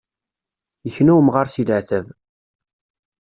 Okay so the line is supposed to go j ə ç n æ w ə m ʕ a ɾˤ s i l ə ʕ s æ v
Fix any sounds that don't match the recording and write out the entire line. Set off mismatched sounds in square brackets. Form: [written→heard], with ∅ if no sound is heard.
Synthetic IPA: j ə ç n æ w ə m [ʕ→ʁ] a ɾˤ s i l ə ʕ [s→θ] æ v